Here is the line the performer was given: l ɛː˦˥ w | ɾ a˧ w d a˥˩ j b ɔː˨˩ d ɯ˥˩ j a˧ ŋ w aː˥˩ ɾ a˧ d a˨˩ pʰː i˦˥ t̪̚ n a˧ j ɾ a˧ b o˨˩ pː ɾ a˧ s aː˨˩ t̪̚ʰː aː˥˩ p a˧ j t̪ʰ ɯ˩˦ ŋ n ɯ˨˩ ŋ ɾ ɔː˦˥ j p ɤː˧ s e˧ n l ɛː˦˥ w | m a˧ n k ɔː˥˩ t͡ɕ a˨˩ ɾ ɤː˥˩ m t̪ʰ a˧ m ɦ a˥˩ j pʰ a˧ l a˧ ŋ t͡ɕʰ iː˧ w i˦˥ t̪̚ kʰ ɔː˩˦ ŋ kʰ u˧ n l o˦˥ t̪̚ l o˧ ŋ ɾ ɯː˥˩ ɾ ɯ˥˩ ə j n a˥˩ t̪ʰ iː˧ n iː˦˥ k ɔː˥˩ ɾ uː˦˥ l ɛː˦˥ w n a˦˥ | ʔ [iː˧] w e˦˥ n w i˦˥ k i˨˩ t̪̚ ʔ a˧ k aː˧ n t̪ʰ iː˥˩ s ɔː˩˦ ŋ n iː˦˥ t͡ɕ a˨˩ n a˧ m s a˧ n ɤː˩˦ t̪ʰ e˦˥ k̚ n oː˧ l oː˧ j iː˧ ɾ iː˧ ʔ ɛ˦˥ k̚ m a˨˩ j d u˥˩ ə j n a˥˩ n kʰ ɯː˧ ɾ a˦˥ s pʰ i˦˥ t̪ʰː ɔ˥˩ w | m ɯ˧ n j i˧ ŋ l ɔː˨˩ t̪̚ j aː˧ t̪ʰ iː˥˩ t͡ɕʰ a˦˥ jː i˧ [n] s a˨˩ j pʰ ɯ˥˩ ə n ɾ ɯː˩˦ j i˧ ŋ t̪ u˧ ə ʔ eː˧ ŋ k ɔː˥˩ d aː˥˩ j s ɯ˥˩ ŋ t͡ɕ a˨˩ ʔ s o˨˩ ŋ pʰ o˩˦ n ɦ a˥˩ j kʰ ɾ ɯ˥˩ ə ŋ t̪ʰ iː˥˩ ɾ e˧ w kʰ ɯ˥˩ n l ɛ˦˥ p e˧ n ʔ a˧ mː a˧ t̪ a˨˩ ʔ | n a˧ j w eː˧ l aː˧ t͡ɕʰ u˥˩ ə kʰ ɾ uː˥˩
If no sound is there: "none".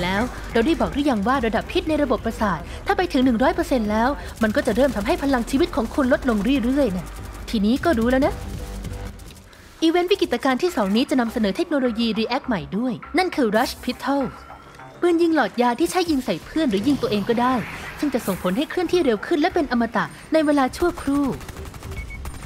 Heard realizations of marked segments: iː˧, ŋ

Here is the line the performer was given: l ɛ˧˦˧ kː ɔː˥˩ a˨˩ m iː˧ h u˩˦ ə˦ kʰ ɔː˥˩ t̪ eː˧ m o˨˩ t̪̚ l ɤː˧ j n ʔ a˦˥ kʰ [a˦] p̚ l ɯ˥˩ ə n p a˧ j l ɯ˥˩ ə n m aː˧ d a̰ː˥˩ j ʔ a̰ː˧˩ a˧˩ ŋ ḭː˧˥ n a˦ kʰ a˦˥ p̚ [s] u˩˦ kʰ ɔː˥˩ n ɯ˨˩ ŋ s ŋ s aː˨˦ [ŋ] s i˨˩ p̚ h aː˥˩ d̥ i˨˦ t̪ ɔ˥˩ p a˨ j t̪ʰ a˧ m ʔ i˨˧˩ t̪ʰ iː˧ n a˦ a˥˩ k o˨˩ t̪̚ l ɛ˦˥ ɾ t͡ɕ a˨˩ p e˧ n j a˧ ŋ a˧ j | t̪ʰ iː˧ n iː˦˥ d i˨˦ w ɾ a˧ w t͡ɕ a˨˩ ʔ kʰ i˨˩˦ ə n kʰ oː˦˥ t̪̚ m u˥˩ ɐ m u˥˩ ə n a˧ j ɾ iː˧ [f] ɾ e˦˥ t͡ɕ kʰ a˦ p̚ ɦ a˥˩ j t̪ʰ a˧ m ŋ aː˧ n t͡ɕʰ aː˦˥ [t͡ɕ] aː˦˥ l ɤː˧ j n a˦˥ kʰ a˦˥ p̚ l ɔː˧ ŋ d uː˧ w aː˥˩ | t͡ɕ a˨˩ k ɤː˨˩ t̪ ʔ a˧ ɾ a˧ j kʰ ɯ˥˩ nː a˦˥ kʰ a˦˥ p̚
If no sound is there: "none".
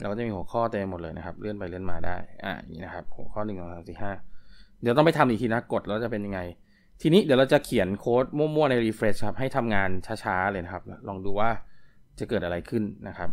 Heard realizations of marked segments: a˦, h, m, f, t͡ɕʰ

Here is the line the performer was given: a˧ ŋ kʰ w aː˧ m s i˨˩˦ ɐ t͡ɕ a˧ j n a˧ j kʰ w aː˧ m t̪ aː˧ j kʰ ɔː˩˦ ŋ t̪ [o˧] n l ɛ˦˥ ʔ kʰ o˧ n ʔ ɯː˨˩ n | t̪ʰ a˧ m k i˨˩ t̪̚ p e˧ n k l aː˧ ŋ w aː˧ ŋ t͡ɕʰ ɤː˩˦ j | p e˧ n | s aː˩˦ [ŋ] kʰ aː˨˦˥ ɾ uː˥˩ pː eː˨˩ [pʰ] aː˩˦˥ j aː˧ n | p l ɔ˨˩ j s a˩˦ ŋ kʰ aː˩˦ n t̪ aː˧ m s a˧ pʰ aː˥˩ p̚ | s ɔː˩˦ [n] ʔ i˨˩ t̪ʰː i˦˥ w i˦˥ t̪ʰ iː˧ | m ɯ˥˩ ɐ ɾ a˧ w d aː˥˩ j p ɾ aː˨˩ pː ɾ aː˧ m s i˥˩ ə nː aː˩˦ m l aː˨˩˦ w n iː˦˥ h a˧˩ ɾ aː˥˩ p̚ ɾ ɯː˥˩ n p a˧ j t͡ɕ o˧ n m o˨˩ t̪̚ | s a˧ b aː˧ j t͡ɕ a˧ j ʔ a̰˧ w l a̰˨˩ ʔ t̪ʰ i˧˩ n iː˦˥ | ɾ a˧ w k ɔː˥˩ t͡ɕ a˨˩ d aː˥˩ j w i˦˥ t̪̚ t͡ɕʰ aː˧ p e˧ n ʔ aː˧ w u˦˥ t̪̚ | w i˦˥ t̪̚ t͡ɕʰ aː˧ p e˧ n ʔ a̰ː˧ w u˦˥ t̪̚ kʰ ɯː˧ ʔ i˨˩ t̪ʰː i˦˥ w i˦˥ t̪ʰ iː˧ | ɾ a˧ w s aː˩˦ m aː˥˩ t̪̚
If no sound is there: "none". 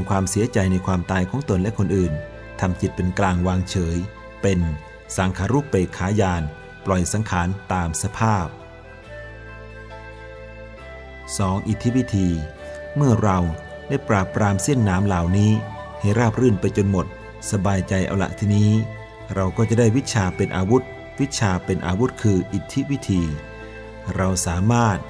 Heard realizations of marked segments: o˧, ŋ, kʰ, ŋ

